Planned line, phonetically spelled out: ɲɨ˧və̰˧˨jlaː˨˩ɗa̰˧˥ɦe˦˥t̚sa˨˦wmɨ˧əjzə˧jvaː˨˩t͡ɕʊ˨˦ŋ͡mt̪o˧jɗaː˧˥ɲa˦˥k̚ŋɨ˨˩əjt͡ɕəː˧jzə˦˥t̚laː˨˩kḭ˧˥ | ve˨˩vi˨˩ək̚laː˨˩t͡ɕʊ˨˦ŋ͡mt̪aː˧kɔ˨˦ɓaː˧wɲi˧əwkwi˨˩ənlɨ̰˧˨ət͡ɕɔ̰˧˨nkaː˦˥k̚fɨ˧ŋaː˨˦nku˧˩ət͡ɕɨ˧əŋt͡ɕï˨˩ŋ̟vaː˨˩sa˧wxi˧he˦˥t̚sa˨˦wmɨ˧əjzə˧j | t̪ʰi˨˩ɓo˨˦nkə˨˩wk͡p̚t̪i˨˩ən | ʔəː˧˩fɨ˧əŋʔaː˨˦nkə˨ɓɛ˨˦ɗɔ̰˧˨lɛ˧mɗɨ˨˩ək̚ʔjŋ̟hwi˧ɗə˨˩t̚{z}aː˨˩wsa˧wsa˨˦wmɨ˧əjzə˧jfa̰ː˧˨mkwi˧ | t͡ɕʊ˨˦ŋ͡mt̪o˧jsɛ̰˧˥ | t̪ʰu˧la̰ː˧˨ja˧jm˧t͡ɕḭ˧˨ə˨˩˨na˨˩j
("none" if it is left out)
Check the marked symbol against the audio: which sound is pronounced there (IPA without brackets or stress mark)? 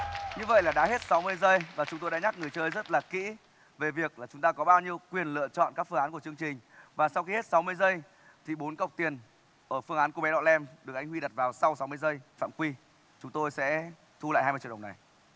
v